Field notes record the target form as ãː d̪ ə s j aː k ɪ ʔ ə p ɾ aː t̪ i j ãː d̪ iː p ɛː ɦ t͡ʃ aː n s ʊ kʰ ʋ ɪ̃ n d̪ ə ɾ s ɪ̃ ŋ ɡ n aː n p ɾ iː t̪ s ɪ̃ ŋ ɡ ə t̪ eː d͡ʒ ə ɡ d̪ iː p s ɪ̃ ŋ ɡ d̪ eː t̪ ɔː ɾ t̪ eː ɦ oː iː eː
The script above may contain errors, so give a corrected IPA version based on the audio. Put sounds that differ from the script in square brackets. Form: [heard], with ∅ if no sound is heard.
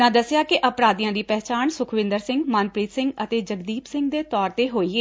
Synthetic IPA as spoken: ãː d̪ ə s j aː k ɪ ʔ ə p ɾ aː [d̪] i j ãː d̪ iː p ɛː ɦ t͡ʃ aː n s ʊ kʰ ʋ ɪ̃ n d̪ ə ɾ s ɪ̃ ŋ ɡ [m] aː n p ɾ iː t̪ s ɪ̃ ŋ ɡ ə t̪ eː d͡ʒ ə ɡ d̪ iː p s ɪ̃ ŋ ɡ d̪ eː t̪ ɔː ɾ t̪ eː ɦ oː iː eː

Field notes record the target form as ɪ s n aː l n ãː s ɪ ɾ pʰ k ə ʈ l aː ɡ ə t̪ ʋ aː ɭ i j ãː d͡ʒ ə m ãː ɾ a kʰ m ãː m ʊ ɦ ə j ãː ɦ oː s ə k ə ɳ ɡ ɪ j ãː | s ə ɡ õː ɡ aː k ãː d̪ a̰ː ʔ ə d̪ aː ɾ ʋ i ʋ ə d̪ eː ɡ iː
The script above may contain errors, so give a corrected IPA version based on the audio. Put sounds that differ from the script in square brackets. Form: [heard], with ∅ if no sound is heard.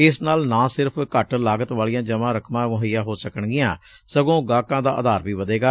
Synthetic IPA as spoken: ɪ s n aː l n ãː s ɪ ɾ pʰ k ə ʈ l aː ɡ ə t̪ ʋ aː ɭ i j ãː d͡ʒ ə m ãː ɾ [ə] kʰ m ãː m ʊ ɦ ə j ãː ɦ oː s ə k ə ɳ ɡ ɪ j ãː | s ə ɡ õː ɡ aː k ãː d̪ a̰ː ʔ ə d̪ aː ɾ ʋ [iː] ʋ ə d̪ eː ɡ [aː]

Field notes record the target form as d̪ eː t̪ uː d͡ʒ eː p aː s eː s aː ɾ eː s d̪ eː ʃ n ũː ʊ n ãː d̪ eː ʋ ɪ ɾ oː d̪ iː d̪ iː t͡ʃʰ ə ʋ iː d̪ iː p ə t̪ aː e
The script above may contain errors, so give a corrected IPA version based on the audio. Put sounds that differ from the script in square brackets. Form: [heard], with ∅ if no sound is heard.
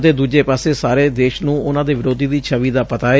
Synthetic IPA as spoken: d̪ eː [d̪] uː d͡ʒ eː p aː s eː s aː ɾ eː [∅] d̪ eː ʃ n ũː ʊ n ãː d̪ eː ʋ ɪ ɾ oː d̪ iː d̪ iː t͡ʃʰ ə ʋ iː d̪ [aː] p ə t̪ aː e

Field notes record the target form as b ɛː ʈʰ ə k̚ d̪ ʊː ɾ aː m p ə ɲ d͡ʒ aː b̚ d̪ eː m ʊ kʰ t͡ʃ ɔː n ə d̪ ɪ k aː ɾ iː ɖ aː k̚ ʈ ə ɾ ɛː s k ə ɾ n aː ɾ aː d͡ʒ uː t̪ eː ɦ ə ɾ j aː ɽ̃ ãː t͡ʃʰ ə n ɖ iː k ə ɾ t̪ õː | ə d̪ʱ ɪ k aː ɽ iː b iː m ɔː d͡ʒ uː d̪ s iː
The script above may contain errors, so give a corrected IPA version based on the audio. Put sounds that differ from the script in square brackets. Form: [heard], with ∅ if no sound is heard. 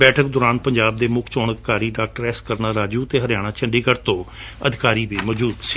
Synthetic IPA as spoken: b ɛː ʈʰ ə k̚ d̪ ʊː ɾ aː [n] p ə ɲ d͡ʒ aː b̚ d̪ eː m ʊ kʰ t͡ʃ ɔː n ə d̪ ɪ k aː ɾ iː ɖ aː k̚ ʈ ə ɾ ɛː s k ə ɾ n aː ɾ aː d͡ʒ uː t̪ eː ɦ ə ɾ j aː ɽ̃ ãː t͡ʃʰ ə [ɳ] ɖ iː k ə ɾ t̪ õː | ə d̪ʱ ɪ k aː [ɾ] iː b iː m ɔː d͡ʒ uː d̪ s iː

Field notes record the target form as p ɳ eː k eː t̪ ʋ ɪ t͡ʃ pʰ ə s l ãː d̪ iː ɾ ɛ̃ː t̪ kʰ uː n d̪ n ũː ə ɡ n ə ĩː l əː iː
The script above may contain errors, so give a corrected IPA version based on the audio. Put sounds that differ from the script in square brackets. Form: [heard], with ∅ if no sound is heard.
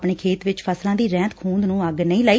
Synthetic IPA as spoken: p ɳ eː [kʰ] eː t̪ ʋ ɪ t͡ʃ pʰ ə s l ãː d̪ iː ɾ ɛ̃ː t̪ kʰ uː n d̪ n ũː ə ɡ n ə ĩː l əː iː

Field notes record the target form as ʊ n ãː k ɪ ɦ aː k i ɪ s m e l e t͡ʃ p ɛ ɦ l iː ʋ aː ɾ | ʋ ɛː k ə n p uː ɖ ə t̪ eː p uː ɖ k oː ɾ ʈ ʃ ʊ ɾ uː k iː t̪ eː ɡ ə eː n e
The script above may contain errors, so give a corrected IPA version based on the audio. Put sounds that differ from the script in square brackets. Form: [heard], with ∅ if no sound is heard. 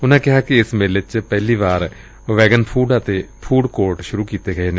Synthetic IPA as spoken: ʊ n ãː k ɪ ɦ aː k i ɪ s m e l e t͡ʃ p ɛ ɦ l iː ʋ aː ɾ | ʋ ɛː [ɡ] ə n [pʰ] uː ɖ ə t̪ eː [pʰ] uː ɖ k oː ɾ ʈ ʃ ʊ ɾ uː k iː t̪ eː ɡ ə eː n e

